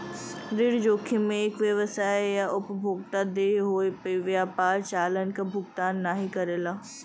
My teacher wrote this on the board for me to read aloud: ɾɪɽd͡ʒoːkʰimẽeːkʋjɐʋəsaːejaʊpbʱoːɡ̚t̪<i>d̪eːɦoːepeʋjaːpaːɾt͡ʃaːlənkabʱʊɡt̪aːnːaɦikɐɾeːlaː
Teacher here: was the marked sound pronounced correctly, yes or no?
no